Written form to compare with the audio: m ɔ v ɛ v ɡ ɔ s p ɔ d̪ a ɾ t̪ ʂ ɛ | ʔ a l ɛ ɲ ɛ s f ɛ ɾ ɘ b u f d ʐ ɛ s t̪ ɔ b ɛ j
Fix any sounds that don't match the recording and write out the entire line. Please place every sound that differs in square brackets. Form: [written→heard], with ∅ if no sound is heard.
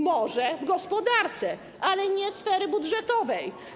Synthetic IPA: m ɔ [v→ʐ] ɛ v ɡ ɔ s p ɔ d̪ a ɾ t̪ [ʂ→s] ɛ | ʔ a l ɛ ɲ ɛ s f ɛ ɾ ɘ b u [f→∅] d ʐ ɛ [s→∅] t̪ ɔ [b→v] ɛ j